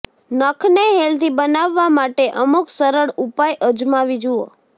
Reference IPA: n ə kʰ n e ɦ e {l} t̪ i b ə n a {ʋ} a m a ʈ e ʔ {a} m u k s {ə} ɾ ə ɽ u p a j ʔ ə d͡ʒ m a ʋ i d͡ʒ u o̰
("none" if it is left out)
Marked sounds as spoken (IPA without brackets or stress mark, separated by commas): l, ʋː, ə, ə